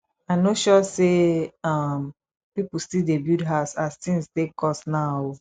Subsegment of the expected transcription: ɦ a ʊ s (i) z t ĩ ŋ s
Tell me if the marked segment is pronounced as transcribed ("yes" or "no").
no